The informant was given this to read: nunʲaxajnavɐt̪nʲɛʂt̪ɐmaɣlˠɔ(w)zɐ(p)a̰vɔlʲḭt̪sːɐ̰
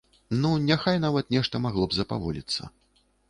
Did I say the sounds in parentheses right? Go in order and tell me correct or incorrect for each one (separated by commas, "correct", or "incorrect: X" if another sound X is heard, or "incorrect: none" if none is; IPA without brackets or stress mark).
incorrect: b, correct